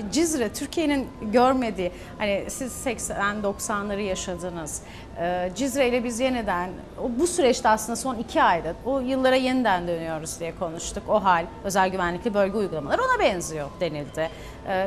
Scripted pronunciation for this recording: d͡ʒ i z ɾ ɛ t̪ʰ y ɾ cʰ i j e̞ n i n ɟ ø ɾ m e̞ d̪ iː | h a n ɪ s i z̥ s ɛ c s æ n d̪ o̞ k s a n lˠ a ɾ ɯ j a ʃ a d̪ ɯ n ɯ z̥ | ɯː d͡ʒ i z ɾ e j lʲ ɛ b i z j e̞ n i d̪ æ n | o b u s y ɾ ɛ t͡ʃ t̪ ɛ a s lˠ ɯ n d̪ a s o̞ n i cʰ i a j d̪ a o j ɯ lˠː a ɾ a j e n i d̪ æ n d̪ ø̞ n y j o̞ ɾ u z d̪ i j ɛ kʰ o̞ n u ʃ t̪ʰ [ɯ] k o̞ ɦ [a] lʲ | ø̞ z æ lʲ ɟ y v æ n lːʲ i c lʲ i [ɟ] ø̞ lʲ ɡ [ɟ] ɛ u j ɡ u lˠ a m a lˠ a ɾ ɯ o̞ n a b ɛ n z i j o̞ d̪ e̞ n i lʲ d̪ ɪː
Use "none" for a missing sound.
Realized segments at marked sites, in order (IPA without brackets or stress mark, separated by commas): u, a, b, ɟ